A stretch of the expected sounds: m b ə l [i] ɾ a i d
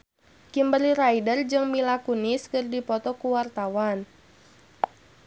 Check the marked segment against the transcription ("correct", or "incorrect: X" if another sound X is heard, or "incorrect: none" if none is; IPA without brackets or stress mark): correct